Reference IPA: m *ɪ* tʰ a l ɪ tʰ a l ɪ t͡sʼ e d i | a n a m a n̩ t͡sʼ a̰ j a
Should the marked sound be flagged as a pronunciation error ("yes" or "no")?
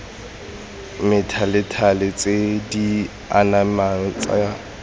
no